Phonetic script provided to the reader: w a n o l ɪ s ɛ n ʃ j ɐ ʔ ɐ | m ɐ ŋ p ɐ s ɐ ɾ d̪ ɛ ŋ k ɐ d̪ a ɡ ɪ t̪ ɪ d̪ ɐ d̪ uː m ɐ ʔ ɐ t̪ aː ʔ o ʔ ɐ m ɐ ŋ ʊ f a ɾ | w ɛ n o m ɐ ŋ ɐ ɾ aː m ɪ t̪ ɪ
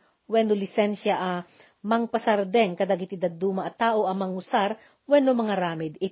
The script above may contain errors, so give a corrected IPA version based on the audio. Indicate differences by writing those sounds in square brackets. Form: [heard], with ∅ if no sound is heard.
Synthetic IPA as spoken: w [ɛ] n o l ɪ s ɛ n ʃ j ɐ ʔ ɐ | m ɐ ŋ p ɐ s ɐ ɾ d̪ ɛ ŋ k ɐ d̪ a ɡ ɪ t̪ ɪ d̪ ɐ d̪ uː m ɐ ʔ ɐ t̪ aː ʔ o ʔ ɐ m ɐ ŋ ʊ [s] a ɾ | w ɛ n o m ɐ ŋ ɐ ɾ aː m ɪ [d̪] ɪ